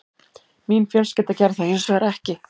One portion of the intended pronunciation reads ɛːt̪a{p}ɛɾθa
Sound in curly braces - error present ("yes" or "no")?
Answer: yes